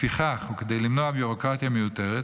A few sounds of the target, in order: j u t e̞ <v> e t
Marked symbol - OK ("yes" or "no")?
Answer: no